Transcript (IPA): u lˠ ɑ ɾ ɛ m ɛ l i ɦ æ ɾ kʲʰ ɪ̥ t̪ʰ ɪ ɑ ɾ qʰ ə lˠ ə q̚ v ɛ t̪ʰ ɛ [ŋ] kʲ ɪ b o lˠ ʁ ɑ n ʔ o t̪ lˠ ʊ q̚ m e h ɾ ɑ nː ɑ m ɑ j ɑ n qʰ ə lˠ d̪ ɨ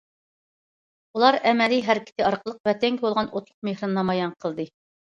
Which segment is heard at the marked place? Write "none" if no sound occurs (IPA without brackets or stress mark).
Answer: ŋ